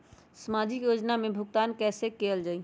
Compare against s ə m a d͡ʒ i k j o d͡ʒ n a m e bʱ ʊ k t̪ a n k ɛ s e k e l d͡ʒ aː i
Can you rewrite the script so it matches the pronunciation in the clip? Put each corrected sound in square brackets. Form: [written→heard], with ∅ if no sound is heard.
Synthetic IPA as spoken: s ə m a d͡ʒ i k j o d͡ʒ n a m e bʱ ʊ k t̪ a n k ɛ s e k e l d͡ʒ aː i